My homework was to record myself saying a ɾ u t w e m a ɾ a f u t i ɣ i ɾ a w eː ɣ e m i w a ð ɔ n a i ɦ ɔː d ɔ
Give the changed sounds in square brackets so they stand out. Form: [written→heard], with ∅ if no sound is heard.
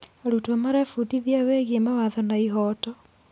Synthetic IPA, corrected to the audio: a ɾ u t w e m a ɾ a f u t i [ɣ→ð] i [ɾ→∅] a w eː ɣ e m [i→a] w a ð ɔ n a i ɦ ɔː [d→t] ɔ